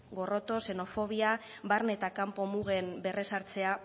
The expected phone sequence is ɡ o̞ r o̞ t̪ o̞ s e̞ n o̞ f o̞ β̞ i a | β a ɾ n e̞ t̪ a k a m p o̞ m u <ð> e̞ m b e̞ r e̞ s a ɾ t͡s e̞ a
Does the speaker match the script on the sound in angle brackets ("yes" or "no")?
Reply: no